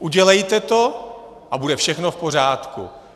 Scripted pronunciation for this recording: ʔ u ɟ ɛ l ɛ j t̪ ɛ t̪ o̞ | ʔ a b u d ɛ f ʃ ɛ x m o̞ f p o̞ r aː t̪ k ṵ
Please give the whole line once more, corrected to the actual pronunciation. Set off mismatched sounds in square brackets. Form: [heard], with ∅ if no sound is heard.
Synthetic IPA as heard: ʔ u ɟ ɛ l ɛ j t̪ ɛ t̪ o̞ | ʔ a b u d ɛ f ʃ ɛ x [n] o̞ f p o̞ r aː t̪ k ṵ